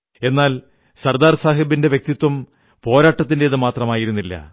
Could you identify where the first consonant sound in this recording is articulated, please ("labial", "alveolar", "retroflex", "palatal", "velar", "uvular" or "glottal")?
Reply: alveolar